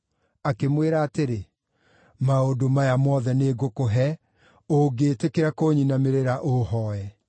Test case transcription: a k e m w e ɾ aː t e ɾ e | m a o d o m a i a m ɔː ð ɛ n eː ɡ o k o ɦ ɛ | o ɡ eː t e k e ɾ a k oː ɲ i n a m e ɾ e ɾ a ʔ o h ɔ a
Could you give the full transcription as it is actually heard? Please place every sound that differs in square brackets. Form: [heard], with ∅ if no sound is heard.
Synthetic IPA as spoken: a k e m w e ɾ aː t e ɾ e | m a o d o m a [j] a m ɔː ð ɛ n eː ɡ o k o ɦ ɛ | o ɡ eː t e k e ɾ a k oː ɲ i n a m e ɾ e ɾ a ʔ o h ɔ [ɛ]